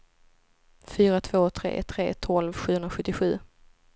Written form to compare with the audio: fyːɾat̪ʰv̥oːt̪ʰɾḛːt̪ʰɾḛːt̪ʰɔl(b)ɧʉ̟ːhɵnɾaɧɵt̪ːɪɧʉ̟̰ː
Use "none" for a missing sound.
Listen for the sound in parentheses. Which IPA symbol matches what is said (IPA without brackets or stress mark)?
v